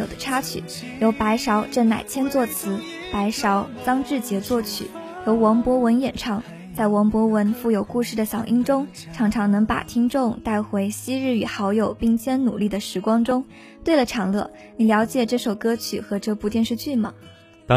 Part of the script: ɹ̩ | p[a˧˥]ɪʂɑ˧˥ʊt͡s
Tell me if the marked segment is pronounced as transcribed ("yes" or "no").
yes